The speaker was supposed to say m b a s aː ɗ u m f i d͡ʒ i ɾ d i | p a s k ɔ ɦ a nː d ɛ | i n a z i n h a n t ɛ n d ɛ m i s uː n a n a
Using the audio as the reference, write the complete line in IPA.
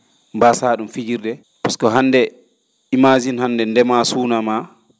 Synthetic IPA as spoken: m b a s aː ɗ u m f i d͡ʒ i ɾ d ɛ | p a s k ɔ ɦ a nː d ɛ | i m a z i n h a n d ɛ n d ɛ m a s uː n a m a